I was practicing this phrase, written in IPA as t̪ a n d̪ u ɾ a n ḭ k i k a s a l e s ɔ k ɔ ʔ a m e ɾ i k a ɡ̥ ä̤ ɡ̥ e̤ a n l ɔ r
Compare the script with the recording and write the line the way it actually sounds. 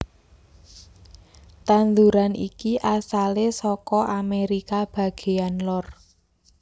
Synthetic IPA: t̪ a n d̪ u ɾ a n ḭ k i ʔ a s a l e s ɔ k ɔ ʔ a m e ɾ i k a b̥ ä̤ ɡ̥ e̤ a n l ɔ r